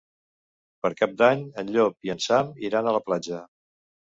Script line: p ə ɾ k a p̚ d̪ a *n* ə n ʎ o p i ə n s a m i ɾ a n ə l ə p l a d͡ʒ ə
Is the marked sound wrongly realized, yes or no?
yes